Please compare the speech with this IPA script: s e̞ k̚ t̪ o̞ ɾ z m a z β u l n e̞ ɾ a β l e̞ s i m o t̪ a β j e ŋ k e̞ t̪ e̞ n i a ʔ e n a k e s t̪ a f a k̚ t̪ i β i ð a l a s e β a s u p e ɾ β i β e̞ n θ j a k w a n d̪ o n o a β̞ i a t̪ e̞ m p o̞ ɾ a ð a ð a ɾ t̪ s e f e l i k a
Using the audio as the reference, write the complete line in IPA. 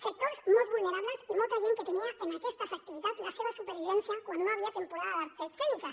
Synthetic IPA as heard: s e̞ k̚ t̪ o̞ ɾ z m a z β u l n e̞ ɾ a β l e̞ s i m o t̪ a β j e ŋ k e̞ t̪ e̞ n i a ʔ e n a k e s t̪ a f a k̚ t̪ i β i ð a l a s e β a s u p e ɾ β i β e̞ n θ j a k w a n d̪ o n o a β̞ i a t̪ e̞ m p o̞ ɾ a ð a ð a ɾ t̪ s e f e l i k a